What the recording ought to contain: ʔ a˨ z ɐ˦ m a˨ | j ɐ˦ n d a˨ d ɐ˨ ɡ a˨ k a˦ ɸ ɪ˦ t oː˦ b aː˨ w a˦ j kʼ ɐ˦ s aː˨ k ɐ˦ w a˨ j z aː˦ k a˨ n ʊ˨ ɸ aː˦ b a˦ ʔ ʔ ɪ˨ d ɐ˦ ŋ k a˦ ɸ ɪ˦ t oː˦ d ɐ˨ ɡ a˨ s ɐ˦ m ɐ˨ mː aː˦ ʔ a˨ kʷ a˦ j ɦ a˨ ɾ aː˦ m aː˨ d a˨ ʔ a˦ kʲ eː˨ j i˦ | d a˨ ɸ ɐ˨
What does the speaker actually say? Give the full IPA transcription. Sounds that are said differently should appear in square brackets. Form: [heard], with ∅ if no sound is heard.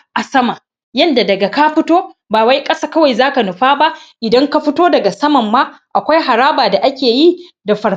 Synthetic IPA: ʔ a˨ [s] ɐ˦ m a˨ | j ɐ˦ n d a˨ d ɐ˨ ɡ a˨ k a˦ ɸ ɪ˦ t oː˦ b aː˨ w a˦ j kʼ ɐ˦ s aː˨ k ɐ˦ w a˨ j z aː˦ k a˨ n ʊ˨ ɸ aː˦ b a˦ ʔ ʔ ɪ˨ d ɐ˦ ŋ k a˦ ɸ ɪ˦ t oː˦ d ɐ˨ ɡ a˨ s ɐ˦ m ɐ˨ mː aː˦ ʔ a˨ kʷ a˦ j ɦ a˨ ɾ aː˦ [b] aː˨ d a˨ ʔ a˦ kʲ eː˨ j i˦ | d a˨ ɸ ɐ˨